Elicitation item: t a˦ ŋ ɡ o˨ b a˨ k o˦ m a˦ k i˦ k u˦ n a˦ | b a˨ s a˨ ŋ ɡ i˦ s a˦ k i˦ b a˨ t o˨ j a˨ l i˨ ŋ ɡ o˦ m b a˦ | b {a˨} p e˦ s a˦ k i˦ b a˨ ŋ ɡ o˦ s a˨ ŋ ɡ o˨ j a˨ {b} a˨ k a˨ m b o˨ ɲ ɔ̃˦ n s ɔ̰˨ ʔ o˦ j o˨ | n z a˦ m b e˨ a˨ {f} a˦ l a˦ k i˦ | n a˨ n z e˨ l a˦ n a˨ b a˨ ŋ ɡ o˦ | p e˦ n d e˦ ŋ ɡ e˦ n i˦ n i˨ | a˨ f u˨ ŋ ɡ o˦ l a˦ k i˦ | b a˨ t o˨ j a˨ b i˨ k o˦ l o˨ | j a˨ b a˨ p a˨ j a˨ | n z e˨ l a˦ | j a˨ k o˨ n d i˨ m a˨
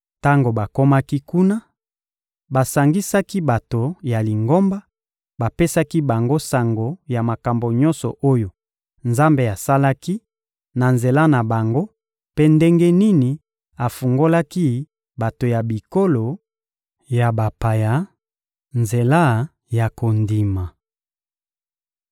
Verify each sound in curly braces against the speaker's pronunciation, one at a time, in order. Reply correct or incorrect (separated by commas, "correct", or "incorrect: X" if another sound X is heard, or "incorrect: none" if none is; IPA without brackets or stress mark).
correct, incorrect: m, incorrect: s